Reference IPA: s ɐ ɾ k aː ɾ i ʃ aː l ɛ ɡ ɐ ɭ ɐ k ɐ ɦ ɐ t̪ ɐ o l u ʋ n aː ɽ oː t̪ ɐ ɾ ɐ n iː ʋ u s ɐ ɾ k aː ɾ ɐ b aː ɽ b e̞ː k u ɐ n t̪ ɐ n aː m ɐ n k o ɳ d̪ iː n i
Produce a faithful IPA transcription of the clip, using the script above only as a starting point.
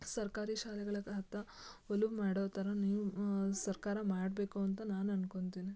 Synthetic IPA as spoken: s ɐ ɾ k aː ɾ i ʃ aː l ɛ ɡ ɐ ɭ ɐ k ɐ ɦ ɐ t̪ ɐ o l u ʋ m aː ɽ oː t̪ ɐ ɾ ɐ n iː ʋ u s ɐ ɾ k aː ɾ ɐ m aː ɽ b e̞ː k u ɐ n t̪ ɐ n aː n ɐ n k o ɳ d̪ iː n i

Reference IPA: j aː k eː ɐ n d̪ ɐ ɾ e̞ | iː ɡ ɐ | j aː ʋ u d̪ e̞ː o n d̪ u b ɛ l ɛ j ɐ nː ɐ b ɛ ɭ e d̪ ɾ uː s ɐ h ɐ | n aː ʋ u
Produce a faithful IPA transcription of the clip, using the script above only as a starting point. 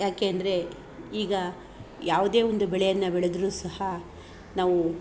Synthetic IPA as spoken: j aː k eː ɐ n d̪ ɐ ɾ e̞ | iː ɡ ɐ | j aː ʋ u d̪ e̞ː o n d̪ u b ɛ ɭ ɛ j ɐ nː ɐ b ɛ ɭ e d̪ ɾ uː s ɐ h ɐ | n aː ʋ u

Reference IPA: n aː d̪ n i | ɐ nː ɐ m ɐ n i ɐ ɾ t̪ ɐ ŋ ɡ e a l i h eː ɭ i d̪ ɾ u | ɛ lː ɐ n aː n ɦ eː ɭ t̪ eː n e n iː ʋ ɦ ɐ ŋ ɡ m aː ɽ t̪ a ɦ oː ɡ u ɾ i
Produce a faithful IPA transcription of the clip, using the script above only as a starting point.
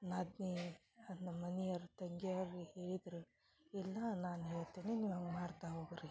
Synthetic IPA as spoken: n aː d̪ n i | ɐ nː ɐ m ɐ n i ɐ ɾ t̪ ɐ ŋ ɡ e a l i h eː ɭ i d̪ ɾ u | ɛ lː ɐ n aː n ɦ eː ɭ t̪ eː n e n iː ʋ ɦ ɐ ŋ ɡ m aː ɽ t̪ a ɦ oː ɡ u ɾ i

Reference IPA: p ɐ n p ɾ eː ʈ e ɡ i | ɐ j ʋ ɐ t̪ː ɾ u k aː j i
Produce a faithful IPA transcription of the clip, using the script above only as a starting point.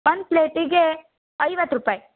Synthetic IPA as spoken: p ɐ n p l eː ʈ i ɡ e | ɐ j ʋ ɐ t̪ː ɾ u p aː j i

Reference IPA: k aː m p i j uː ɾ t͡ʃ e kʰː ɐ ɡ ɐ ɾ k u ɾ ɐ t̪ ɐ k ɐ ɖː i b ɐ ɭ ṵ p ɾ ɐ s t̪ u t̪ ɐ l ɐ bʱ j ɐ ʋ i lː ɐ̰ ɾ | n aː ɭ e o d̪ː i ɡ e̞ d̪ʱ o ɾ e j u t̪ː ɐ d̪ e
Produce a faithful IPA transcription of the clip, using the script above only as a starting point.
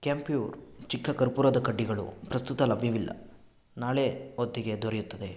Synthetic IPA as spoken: k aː m p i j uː ɾ t͡ʃ i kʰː ɐ k ɐ ɾ p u ɾ ɐ d̪ ɐ k ɐ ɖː i ɡ ɐ ɭ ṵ p ɾ ɐ s t̪ u t̪ ɐ l ɐ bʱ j ɐ ʋ i lː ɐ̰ | n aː ɭ e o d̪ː i ɡ e̞ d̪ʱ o ɾ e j u t̪ː ɐ d̪ e

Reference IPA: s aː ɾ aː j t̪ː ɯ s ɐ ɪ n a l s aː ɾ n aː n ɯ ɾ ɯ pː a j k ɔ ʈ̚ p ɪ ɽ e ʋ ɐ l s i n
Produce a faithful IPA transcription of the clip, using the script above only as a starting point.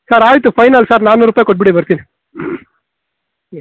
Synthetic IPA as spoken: s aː ɾ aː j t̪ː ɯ f ɐ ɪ n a l s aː ɾ n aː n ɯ ɾ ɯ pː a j k ɔ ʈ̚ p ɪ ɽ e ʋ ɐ ɾ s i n

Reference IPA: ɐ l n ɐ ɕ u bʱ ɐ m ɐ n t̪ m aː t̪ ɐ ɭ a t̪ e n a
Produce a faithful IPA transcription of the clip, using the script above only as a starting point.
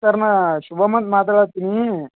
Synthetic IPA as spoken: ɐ ɾ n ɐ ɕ u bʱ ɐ m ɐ n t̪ m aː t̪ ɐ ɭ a t̪ i n i

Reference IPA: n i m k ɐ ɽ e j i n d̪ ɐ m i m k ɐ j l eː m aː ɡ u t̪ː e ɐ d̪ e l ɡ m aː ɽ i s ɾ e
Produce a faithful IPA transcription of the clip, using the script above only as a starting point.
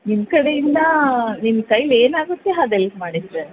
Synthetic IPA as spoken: n i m k ɐ ɽ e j i n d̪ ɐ n i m k ɐ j l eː n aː ɡ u t̪ː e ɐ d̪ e l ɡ m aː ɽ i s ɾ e

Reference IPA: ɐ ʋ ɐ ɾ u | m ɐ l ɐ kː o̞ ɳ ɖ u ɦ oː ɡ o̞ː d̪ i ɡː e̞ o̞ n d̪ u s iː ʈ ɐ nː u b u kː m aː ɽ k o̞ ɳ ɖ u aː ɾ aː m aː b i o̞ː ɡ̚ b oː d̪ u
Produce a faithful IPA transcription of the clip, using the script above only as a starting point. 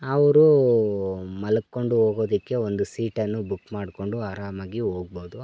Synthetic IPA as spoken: ɐ ʋ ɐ ɾ u | m ɐ l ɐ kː o̞ ɳ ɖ u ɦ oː ɡ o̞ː d̪ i kː e̞ o̞ n d̪ u s iː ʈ ɐ nː u b u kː m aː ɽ k o̞ ɳ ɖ u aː ɾ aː m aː ɡ i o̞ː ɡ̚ b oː d̪ u

